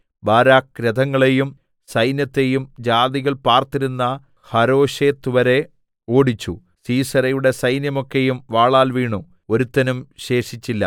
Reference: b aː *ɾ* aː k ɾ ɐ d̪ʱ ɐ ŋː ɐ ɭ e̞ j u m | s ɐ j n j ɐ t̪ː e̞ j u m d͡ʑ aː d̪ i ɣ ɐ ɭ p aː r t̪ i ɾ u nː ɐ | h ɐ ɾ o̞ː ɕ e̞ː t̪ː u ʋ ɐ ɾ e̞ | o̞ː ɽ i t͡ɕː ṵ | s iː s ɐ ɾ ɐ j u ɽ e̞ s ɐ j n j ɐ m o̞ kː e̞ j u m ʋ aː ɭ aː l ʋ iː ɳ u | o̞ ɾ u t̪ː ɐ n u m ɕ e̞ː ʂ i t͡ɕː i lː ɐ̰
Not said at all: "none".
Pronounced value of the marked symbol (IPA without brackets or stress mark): ɾ